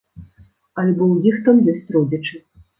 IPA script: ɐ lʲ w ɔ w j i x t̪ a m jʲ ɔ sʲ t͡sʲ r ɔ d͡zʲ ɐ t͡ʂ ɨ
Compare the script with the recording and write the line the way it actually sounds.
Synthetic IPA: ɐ lʲ b ɔ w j i x t̪ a m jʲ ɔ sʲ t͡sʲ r ɔ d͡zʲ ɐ t͡ʂ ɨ